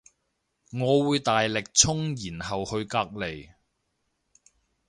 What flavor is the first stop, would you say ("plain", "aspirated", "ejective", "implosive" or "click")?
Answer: plain